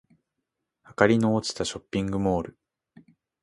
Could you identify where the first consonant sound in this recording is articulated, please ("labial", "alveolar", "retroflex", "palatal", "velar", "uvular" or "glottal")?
glottal